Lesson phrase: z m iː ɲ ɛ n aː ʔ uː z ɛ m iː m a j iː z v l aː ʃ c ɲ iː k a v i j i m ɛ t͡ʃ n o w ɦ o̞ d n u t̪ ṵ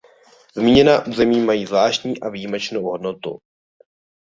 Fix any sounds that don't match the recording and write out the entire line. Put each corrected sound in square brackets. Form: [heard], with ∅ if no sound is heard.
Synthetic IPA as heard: z m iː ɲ ɛ n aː ʔ uː z ɛ m iː m a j iː z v l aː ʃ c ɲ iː [ʔ] a v i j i m ɛ t͡ʃ n o w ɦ o̞ d n [o] t̪ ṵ